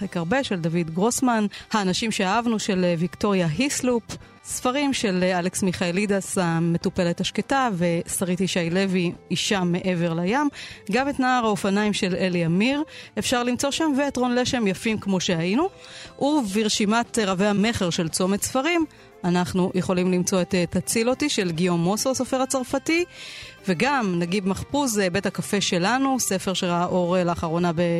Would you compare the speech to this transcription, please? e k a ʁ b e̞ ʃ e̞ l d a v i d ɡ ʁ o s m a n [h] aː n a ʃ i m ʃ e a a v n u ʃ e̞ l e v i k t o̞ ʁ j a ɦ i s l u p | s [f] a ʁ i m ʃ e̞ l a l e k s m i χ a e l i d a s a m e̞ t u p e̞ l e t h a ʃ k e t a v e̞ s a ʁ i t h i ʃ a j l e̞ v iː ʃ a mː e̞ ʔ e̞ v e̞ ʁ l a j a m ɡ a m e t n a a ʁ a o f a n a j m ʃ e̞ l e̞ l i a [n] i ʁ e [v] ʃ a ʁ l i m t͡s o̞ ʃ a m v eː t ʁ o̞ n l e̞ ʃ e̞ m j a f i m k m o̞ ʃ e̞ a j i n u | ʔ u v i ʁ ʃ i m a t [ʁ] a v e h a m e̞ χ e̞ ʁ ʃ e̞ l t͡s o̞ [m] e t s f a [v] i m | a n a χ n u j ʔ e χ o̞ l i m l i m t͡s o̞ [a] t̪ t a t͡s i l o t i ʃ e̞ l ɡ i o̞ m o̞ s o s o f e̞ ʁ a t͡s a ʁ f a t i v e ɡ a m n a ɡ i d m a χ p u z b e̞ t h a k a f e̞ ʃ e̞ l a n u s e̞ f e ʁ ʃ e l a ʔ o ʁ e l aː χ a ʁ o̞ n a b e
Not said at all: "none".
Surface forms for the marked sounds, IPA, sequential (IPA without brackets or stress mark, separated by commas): h, f, m, f, ʁ, m, ʁ, e